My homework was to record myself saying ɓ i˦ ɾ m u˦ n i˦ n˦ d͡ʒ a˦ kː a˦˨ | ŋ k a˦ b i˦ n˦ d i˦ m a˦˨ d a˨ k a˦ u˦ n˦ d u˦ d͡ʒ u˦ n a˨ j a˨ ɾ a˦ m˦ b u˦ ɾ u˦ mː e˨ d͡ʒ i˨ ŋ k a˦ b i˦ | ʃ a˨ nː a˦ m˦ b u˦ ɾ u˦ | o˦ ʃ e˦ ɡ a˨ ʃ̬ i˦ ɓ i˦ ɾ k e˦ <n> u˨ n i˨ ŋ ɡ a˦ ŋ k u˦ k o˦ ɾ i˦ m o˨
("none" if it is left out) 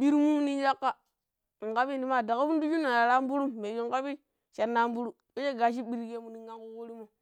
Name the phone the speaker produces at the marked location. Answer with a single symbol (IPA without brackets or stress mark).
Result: m